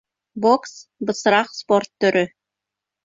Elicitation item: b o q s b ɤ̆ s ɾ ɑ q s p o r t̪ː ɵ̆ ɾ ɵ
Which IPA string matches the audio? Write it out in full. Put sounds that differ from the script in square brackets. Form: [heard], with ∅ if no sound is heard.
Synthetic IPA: b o [k] s b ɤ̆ s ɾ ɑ q s p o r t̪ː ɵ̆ ɾ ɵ

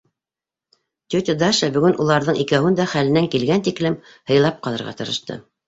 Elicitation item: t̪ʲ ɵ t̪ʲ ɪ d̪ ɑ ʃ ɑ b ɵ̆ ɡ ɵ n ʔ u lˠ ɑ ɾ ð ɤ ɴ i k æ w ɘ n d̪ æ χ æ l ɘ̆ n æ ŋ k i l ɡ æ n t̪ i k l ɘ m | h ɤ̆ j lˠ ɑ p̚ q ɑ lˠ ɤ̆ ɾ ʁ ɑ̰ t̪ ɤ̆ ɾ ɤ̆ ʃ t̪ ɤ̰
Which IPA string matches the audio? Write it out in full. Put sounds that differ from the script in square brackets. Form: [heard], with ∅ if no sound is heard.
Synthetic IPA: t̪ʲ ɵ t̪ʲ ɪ d̪ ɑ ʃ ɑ b ɵ̆ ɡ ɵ n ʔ u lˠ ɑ ɾ ð ɤ ɴ i k æ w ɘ n d̪ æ χ æ l ɘ̆ n æ ŋ k i l ɡ æ n t̪ i k l ɘ m | h ɤ̆ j lˠ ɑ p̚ q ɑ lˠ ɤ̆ ɾ ʁ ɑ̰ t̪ ɤ̆ ɾ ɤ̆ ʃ t̪ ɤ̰

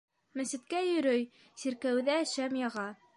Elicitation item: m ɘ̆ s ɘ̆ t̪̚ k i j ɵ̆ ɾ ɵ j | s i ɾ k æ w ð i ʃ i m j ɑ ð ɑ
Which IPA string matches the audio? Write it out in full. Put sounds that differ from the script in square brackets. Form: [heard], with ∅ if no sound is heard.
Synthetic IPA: m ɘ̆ s ɘ̆ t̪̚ k [æ] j ɵ̆ ɾ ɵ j | s i ɾ k æ w ð [æ] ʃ [æ] m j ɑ [ʁ] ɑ

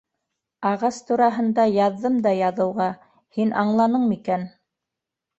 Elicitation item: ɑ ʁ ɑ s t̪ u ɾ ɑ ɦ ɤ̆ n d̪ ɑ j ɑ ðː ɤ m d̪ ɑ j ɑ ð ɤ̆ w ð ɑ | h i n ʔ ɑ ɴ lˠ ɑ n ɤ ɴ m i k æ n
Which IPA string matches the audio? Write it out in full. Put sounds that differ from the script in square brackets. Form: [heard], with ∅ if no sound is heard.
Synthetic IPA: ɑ ʁ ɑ s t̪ u ɾ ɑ ɦ ɤ̆ n d̪ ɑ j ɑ ðː ɤ m d̪ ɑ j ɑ ð ɤ̆ w [ʁ] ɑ | h i n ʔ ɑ ɴ lˠ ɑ n ɤ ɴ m i k æ n

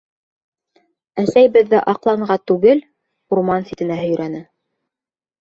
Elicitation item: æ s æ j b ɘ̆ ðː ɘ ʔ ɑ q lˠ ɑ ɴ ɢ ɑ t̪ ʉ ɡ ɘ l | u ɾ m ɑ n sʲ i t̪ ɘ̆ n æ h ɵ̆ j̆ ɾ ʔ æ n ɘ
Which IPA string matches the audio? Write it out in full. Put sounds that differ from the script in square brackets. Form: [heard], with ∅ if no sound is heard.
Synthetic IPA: æ s æ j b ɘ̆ ðː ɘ ʔ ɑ q lˠ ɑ ɴ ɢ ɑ t̪ ʉ ɡ ɘ l | u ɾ m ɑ n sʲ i t̪ ɘ̆ n æ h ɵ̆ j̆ ɾ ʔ æ n ɘ

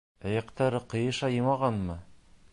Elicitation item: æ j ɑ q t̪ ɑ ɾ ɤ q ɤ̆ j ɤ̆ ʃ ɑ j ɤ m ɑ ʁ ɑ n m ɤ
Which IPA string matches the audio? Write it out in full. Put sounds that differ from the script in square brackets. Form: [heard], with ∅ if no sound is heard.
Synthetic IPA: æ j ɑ q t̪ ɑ ɾ ɤ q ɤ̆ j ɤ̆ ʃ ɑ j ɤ m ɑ ʁ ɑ n m ɤ

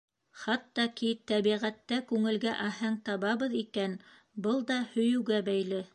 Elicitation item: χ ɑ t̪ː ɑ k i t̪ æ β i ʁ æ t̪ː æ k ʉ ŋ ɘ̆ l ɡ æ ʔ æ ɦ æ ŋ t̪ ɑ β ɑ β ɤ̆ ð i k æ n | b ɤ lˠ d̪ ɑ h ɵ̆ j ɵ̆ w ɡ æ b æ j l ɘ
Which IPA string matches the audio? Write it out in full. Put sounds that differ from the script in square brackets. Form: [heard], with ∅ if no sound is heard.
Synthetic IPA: χ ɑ t̪ː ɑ k i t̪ æ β i ʁ æ t̪ː æ k ʉ ŋ ɘ̆ l ɡ æ ʔ æ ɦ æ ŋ t̪ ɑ β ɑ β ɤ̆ ð i k æ n | b ɤ lˠ d̪ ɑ h ɵ̆ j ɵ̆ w ɡ æ b æ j l ɘ

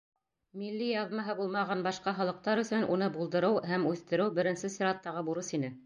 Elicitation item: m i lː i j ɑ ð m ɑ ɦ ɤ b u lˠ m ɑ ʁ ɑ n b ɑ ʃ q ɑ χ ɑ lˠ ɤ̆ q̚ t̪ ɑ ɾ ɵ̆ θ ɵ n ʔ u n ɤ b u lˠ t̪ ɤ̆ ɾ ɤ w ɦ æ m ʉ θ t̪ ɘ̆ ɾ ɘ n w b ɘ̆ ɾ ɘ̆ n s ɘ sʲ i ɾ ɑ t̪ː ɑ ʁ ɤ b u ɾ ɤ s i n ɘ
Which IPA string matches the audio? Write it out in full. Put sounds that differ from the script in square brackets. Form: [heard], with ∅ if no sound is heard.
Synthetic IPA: m i lː i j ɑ ð m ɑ ɦ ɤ b u lˠ m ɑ ʁ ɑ n b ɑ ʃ q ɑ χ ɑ lˠ ɤ̆ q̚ t̪ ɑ ɾ ɵ̆ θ ɵ n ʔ u n ɤ b u lˠ [d̪] ɤ̆ ɾ ɤ w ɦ æ m ʉ θ t̪ ɘ̆ ɾ ɘ [∅] w b ɘ̆ ɾ ɘ̆ n s ɘ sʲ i ɾ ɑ t̪ː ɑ ʁ ɤ b u ɾ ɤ s i n ɘ

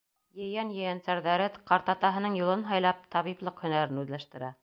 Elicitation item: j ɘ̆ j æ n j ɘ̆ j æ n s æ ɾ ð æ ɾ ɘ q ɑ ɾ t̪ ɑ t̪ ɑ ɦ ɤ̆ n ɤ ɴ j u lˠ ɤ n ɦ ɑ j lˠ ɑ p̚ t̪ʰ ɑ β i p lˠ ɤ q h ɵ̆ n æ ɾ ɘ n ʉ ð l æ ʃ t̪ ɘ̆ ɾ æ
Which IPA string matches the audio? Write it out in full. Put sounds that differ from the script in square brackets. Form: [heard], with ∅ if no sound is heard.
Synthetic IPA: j ɘ̆ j æ n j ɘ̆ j æ n s æ ɾ ð æ ɾ ɘ q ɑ ɾ t̪ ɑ t̪ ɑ ɦ ɤ̆ n ɤ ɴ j u lˠ ɤ n ɦ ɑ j lˠ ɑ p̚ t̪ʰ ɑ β i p lˠ ɤ q h ɵ̆ n æ ɾ ɘ n ʉ ð l æ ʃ t̪ ɘ̆ ɾ æ

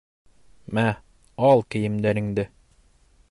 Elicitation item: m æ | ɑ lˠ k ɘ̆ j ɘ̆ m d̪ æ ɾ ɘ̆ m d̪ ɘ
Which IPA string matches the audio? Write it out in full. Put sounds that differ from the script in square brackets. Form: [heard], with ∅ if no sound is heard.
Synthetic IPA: m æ | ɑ lˠ k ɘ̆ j ɘ̆ m d̪ æ ɾ ɘ̆ [ŋ] d̪ ɘ

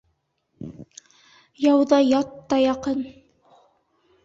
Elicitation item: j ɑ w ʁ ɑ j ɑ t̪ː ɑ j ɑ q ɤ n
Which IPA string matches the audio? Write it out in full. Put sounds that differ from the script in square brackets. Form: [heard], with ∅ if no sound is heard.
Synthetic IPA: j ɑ w [ð] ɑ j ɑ t̪ː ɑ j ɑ q ɤ n

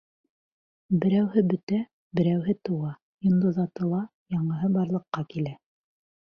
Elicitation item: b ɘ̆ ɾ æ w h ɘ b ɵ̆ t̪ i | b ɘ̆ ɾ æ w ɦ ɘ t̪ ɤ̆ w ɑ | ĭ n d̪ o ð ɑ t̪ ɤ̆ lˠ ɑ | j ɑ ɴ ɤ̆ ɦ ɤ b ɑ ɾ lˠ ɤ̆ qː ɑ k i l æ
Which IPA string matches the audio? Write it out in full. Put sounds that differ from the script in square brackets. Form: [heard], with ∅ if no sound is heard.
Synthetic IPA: b ɘ̆ ɾ æ w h ɘ b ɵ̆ t̪ [æ] | b ɘ̆ ɾ æ w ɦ ɘ t̪ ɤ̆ w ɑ | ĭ n d̪ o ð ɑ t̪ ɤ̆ lˠ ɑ | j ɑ ɴ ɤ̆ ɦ ɤ b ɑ ɾ lˠ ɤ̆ qː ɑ k i l æ

